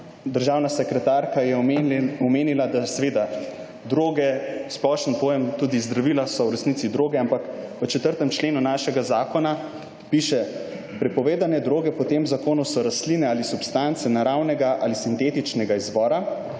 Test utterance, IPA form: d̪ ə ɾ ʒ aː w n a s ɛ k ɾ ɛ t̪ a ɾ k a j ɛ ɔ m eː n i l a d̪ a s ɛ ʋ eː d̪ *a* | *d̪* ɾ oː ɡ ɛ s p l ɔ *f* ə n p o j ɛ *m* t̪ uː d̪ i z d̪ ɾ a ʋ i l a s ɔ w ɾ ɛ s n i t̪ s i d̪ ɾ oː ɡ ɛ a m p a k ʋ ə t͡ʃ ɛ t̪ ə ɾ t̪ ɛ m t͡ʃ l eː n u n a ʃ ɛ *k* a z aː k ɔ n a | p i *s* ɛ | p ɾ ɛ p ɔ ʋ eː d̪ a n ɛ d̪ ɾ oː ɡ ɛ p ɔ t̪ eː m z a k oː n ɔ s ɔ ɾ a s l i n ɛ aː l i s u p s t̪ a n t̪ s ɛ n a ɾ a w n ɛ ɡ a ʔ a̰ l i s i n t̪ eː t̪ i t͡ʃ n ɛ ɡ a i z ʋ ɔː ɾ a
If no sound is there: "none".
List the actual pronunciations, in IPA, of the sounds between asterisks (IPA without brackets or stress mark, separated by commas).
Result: a, d̪, ʃ, m, ɡ, ʃ